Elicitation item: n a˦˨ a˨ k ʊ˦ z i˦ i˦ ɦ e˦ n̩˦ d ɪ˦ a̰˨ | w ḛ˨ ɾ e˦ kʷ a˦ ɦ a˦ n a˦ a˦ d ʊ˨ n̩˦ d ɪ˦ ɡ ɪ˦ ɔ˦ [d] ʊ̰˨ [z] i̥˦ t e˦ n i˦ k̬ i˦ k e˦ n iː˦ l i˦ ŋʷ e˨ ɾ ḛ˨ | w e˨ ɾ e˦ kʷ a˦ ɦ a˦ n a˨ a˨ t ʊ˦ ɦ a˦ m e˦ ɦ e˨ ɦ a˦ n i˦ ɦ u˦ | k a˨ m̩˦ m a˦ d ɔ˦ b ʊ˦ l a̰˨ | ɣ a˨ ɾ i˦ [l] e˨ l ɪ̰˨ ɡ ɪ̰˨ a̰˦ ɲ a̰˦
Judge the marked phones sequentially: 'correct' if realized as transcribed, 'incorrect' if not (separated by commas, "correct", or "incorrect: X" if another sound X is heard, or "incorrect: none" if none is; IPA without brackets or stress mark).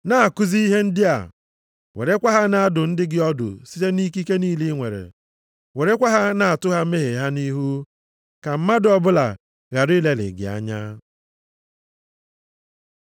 correct, incorrect: s, correct